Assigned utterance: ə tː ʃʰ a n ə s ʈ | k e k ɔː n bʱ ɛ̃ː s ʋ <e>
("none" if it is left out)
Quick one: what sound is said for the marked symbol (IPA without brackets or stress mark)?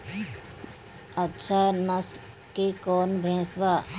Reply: a